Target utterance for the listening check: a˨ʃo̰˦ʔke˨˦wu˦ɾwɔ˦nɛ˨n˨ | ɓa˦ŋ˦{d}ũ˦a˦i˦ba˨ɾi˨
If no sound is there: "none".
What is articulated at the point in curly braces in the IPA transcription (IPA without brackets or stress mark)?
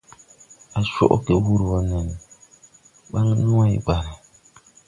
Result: n